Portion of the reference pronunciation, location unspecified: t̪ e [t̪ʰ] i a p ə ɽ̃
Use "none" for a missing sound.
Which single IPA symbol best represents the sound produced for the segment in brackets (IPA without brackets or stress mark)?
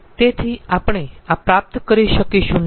t̪ʰ